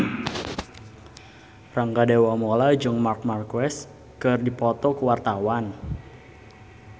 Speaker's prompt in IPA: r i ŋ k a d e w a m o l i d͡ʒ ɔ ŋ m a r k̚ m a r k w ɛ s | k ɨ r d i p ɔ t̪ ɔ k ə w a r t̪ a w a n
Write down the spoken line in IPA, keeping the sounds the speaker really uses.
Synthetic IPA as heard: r a ŋ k a d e w a m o l a d͡ʒ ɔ ŋ m a r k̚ m a r k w ɛ s | k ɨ r d i p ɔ t̪ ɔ k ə w a r t̪ a w a n

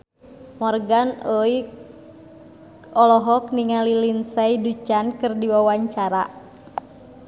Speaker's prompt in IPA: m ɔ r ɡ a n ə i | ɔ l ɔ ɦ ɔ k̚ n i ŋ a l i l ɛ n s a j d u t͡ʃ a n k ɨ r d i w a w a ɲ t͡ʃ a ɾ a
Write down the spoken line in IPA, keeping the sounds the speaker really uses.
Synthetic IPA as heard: m ɔ r ɡ a n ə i | ɔ l ɔ ɦ ɔ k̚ n i ŋ a l i l i n s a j d u t͡ʃ a n k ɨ r d i w a w a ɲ t͡ʃ a ɾ a

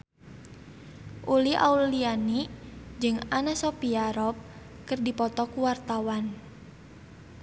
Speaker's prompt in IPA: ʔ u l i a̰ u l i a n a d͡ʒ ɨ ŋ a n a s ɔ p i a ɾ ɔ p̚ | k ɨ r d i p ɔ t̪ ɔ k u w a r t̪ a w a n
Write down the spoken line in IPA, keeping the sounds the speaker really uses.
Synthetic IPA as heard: ʔ u l i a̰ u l i a n i d͡ʒ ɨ ŋ a n a s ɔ p i a ɾ ɔ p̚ | k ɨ r d i p ɔ t̪ ɔ k u w a r t̪ a w a n

